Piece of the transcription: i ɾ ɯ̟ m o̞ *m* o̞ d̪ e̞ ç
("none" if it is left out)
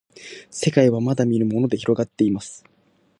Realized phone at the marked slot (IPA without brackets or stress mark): n